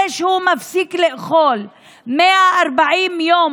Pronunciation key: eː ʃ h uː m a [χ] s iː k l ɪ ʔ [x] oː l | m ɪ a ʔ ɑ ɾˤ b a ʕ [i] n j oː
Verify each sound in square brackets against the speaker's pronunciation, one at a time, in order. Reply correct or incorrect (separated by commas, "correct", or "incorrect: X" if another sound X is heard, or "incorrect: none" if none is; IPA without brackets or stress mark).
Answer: incorrect: f, correct, incorrect: iː